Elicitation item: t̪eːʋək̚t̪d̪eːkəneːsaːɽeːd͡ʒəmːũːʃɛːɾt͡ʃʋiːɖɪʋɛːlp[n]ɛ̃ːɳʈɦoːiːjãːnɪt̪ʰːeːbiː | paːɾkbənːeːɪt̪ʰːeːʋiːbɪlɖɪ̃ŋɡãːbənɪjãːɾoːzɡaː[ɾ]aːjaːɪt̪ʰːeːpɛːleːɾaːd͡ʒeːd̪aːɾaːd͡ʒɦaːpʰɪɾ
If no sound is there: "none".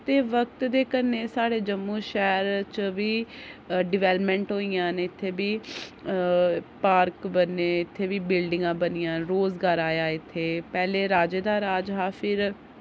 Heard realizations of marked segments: m, ɾ

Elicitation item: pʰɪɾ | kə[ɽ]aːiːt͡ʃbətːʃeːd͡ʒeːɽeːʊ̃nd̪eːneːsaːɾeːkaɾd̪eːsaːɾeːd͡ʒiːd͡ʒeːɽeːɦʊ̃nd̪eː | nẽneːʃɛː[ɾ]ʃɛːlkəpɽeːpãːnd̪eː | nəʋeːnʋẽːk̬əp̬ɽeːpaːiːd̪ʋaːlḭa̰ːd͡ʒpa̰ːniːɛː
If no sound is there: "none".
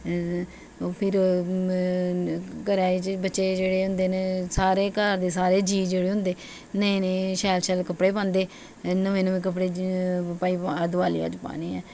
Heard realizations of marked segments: ɾ, l

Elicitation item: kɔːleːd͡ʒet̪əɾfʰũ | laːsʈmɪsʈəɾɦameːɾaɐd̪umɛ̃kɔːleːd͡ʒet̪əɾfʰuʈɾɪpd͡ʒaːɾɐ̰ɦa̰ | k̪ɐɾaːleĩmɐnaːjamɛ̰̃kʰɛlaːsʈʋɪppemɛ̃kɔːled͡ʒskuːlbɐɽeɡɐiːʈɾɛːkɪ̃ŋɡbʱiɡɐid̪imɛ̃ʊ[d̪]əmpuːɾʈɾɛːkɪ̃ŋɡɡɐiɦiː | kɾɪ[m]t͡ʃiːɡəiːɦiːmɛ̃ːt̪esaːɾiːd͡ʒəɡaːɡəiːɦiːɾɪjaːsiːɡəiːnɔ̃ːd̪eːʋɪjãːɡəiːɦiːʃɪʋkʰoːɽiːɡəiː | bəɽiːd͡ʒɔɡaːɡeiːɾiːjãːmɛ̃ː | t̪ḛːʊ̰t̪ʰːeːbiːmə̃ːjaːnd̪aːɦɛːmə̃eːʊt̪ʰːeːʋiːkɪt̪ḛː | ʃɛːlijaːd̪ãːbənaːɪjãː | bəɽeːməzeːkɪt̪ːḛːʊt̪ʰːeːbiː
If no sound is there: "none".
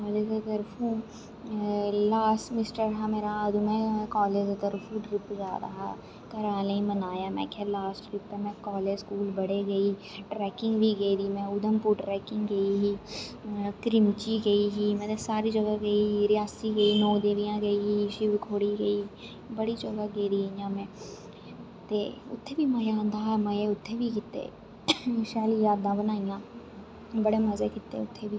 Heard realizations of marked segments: d̪, m

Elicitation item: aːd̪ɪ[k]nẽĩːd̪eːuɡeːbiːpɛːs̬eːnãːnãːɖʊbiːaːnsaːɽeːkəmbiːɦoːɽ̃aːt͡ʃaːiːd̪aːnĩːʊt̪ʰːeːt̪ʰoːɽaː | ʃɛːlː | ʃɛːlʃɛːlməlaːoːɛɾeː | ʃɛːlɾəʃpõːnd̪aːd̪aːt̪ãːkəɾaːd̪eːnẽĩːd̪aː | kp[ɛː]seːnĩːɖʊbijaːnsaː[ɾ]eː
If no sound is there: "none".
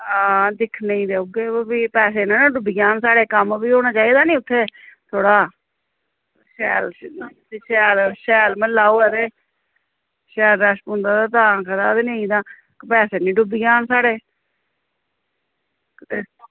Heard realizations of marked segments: kʰ, ɛː, ɽ

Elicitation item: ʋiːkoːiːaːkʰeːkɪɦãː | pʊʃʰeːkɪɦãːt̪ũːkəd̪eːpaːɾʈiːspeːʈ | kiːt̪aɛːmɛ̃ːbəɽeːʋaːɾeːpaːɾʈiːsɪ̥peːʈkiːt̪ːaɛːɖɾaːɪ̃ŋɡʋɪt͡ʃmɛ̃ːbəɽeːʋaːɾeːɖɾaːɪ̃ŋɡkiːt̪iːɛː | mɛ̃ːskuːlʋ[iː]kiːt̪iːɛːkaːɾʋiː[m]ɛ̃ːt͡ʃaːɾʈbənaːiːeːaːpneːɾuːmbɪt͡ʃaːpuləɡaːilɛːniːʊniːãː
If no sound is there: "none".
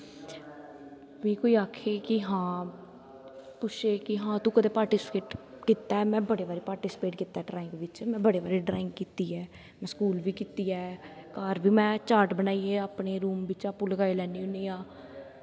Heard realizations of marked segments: iː, m

